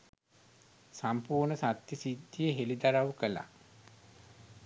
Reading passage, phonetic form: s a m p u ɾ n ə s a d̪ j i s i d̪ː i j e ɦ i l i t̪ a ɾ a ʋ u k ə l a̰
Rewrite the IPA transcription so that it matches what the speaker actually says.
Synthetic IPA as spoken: s a m p uː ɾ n ə s a t̪ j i s i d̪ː i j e ɦ e l i d̪ a ɾ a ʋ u k ə l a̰

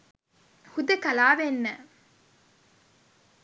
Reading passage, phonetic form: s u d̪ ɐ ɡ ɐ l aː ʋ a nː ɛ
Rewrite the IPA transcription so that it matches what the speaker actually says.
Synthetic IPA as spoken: h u d̪ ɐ k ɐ l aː ʋ e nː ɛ

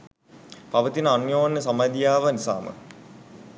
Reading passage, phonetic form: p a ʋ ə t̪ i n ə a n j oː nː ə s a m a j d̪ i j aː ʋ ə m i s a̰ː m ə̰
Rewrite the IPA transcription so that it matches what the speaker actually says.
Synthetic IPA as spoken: p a ʋ ə t̪ i n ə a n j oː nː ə s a m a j d̪ i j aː ʋ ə n i s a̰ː m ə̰

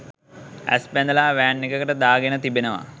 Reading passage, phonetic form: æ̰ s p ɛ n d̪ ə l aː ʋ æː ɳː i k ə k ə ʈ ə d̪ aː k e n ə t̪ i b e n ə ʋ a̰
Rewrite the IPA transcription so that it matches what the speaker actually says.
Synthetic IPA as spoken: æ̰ s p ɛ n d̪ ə l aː ʋ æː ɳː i k ə k ə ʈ ə d̪ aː ɡ e n ə t̪ i b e n ə ʋ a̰

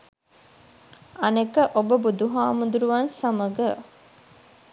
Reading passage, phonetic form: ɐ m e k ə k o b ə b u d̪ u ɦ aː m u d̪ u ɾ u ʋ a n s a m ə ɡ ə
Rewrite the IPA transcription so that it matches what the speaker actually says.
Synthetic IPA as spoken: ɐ n e k ə ʔ o b ə b u d̪ u ɦ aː m u d̪ u ɾ u ʋ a n s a m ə ɡ ə

